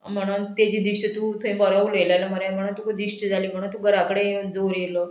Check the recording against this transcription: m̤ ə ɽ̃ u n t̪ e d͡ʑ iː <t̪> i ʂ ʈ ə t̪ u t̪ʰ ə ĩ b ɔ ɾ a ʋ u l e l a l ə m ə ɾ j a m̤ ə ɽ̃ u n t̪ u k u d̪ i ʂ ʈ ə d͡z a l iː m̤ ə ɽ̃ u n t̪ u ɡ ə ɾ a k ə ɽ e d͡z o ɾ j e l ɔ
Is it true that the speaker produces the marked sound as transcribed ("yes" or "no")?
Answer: no